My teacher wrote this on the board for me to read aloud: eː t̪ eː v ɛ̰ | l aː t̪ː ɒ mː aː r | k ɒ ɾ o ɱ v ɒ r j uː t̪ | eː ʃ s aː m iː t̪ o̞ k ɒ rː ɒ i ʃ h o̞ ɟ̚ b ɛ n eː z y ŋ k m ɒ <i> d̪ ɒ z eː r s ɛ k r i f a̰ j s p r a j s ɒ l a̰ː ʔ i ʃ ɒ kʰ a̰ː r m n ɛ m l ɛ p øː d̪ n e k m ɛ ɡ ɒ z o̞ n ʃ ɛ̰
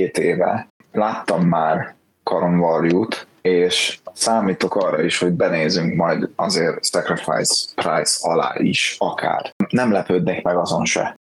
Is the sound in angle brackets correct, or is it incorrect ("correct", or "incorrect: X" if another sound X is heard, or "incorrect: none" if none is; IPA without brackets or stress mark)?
incorrect: j